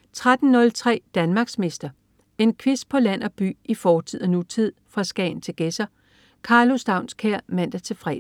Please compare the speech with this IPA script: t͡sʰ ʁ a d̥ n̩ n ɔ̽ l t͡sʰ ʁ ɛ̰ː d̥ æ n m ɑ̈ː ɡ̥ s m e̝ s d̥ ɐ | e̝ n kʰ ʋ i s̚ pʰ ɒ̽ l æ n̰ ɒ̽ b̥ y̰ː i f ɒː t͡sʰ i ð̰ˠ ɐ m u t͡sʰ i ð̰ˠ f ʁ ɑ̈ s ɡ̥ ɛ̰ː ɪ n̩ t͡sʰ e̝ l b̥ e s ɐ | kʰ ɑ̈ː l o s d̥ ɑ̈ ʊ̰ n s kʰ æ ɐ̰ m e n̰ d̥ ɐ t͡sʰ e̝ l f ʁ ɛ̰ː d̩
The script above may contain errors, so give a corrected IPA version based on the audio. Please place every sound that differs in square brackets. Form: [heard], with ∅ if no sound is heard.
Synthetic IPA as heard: t͡sʰ ʁ a d̥ n̩ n ɔ̽ l t͡sʰ ʁ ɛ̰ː d̥ æ n m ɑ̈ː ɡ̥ s m e̝ s d̥ ɐ | e̝ n kʰ ʋ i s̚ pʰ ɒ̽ l æ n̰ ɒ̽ b̥ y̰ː i f ɒː t͡sʰ i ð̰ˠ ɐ [n] u t͡sʰ i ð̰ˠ f ʁ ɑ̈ s ɡ̥ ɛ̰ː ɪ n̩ t͡sʰ e̝ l [ɡ̥] e s ɐ | kʰ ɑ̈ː l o s d̥ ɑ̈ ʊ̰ n s kʰ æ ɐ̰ m [æ] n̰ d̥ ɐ t͡sʰ e̝ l f ʁ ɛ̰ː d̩